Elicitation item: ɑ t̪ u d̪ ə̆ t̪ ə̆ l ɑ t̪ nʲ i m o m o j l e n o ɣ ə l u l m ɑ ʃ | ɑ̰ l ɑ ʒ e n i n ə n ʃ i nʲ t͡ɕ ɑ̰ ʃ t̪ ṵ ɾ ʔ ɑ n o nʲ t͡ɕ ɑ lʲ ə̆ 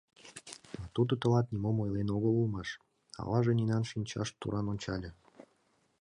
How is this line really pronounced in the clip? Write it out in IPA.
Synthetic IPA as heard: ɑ t̪ u d̪ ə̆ t̪ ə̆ l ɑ t̪ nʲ i m o m o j l e n o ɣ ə l u l m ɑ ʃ | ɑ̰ l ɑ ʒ e n i n ɑ n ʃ i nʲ t͡ɕ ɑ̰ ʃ t̪ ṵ ɾ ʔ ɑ n o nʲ t͡ɕ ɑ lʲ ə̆